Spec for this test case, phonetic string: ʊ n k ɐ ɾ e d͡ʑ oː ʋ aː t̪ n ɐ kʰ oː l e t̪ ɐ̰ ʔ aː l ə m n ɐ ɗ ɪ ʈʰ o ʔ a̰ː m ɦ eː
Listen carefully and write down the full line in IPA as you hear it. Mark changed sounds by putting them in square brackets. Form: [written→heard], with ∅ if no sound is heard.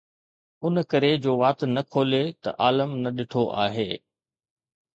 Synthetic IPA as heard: ʊ n k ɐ ɾ e d͡ʑ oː ʋ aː t̪ n ɐ kʰ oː l e t̪ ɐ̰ ʔ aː l ə m n ɐ ɗ ɪ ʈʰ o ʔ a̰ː [m→∅] ɦ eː